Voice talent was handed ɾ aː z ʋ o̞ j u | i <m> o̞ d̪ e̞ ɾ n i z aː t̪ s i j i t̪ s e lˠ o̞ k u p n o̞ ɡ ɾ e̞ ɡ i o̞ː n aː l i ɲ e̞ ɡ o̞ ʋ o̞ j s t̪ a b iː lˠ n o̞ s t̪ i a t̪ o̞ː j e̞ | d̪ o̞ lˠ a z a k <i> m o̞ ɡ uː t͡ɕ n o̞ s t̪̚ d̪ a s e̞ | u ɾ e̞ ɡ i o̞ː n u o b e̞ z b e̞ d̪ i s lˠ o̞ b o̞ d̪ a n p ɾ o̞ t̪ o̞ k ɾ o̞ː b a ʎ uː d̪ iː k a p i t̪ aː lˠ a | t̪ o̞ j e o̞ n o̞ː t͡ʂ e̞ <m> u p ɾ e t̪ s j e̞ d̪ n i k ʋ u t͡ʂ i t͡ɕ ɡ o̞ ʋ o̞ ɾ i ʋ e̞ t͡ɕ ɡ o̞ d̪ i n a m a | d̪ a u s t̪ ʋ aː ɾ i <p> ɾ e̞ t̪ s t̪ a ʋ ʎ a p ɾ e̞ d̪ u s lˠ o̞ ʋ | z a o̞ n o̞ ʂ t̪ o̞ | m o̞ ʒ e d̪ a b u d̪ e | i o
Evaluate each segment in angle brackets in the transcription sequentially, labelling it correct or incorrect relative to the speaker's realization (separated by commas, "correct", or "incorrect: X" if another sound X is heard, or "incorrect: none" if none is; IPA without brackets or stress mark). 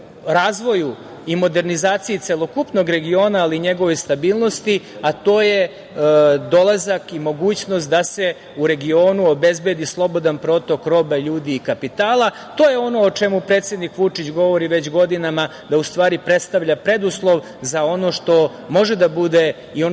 correct, correct, correct, correct